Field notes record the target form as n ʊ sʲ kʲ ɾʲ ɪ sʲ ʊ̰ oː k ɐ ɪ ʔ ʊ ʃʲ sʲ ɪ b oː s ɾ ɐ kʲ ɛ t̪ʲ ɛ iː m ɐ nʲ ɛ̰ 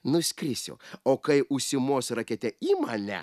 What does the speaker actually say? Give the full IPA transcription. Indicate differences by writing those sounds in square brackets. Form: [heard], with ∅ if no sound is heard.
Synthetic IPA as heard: n ʊ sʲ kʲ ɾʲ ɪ sʲ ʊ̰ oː k ɐ ɪ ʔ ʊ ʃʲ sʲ ɪ [m] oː s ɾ ɐ kʲ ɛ t̪ʲ ɛ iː m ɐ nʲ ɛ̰